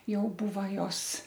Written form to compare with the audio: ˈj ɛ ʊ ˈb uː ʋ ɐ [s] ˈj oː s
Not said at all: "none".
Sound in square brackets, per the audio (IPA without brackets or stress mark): none